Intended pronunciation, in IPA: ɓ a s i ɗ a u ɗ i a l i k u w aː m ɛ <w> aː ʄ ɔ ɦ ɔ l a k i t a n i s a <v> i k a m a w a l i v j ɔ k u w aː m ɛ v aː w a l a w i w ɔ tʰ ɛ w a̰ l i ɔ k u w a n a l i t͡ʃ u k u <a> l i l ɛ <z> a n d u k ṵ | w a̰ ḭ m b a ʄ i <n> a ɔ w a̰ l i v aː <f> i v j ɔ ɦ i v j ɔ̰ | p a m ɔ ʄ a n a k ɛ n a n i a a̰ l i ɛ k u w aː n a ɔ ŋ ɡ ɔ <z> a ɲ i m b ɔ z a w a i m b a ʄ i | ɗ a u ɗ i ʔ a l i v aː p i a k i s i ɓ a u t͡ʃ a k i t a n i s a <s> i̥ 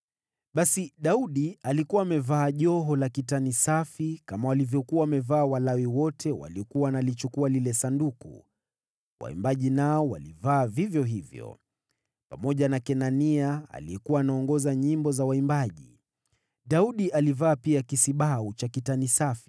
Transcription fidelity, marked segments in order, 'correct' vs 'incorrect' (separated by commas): incorrect, incorrect, correct, incorrect, correct, incorrect, correct, incorrect